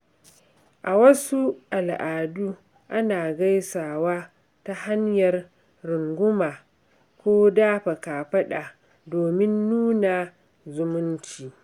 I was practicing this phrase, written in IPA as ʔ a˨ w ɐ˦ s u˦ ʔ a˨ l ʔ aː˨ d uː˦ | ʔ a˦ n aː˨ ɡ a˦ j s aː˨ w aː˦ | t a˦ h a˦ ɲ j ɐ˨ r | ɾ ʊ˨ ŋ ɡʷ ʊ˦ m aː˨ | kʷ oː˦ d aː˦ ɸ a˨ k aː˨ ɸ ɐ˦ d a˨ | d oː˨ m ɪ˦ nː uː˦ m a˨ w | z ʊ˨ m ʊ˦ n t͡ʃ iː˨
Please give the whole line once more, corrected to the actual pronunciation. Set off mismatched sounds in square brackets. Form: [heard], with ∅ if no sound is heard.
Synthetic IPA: ʔ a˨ w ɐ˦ s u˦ ʔ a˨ l ʔ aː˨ d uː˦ | ʔ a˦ n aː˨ ɡ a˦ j s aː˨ w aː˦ | t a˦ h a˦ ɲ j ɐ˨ r | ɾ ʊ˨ ŋ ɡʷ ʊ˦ m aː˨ | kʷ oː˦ d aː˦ ɸ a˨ k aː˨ ɸ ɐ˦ [ɗ] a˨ | d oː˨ m ɪ˦ nː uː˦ [n] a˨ [∅] | z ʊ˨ m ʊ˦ n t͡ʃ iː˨